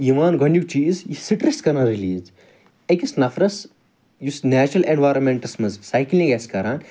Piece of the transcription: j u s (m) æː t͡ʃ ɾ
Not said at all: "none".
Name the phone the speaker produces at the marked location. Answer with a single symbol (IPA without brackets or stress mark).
n